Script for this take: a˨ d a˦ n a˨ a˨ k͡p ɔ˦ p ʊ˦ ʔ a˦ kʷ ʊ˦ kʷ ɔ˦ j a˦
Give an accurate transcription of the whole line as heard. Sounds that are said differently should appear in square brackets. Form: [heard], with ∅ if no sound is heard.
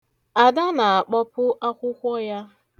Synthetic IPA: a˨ d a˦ n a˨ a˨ k͡p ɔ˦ p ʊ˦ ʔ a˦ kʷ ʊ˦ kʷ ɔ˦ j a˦